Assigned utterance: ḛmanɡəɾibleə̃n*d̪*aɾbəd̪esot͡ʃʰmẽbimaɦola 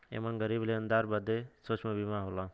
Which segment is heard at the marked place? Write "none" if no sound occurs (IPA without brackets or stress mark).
d̪